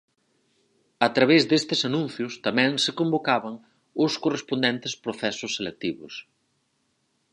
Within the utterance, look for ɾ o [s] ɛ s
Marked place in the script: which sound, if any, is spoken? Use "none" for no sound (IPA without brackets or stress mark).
θ